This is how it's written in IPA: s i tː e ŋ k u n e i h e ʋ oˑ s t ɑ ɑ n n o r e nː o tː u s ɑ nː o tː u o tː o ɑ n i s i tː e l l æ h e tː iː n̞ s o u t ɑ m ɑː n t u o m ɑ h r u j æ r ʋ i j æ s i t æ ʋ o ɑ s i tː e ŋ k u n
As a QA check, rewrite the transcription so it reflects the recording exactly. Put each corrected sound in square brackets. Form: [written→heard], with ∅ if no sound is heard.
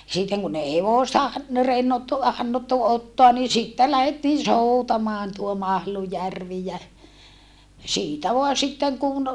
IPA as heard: s i tː e ŋ k u n e i h e ʋ oˑ s t ɑ ɑ n n o r e nː o tː u [s→h] ɑ nː o tː u o tː o ɑ n i s i tː e l l æ h e tː iː n̞ s o u t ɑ m ɑː n t u o m ɑ h [r→l] u j æ r ʋ i j æ s [i→iː] t æ ʋ o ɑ s i tː e ŋ k u n